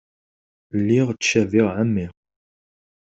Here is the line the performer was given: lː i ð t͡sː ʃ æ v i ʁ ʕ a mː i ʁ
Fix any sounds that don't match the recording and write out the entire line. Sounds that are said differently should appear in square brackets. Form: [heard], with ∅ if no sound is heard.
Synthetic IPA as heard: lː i [ʁ] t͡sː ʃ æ v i ʁ ʕ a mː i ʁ